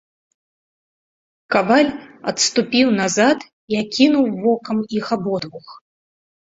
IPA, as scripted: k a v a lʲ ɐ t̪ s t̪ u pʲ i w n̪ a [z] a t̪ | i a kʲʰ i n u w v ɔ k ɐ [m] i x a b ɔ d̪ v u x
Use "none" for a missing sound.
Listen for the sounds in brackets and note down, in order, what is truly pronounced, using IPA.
z, m

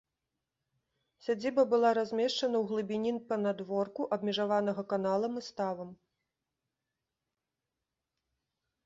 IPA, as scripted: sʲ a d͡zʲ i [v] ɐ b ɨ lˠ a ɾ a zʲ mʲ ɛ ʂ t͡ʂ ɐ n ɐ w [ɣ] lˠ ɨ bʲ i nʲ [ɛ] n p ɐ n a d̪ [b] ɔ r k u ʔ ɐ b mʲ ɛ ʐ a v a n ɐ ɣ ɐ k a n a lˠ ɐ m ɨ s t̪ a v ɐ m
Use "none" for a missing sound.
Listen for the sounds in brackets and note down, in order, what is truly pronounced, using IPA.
b, ɣ, i, v

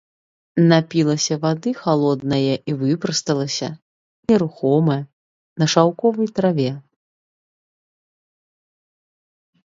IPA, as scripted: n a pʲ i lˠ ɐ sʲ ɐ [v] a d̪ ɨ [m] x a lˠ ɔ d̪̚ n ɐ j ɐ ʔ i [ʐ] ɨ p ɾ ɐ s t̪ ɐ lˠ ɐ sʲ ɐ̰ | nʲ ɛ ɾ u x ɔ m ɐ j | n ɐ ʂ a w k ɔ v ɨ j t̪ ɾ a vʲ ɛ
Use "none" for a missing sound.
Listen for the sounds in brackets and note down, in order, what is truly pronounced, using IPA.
v, none, v

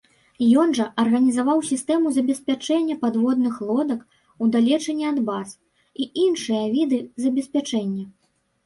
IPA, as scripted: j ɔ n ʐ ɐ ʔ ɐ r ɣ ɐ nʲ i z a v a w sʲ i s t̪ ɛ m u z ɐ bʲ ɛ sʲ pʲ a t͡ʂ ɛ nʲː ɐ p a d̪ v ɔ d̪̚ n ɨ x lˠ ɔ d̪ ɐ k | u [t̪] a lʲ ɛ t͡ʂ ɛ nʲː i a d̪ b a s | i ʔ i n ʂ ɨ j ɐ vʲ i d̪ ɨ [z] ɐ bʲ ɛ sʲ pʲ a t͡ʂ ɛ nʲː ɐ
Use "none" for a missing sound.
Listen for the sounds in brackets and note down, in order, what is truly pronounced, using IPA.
d̪, z

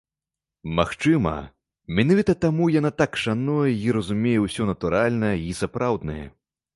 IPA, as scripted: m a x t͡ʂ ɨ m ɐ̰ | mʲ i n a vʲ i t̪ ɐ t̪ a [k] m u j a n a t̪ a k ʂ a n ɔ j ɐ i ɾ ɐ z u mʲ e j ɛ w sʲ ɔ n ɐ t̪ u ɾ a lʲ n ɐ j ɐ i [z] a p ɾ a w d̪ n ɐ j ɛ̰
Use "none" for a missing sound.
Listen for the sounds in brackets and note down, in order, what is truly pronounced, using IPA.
none, s

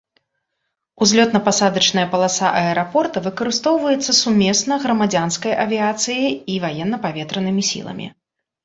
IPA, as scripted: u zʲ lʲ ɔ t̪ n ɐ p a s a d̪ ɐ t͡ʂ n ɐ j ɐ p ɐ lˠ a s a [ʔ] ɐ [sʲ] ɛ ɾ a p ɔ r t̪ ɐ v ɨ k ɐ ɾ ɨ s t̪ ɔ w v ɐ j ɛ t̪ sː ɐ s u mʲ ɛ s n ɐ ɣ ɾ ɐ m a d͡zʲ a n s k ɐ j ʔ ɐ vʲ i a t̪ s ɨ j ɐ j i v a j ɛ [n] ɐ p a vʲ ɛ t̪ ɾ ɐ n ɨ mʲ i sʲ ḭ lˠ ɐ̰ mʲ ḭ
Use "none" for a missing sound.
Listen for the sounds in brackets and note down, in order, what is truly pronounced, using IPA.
ʔ, none, nː

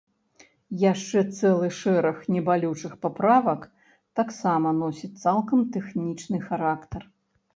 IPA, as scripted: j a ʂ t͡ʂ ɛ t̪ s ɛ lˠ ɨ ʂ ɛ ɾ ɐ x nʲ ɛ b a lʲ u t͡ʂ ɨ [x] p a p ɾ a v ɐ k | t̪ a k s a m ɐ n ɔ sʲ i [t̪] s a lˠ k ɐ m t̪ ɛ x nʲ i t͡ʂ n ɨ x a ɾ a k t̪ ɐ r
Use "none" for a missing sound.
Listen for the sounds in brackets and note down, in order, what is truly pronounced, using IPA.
x, t̪

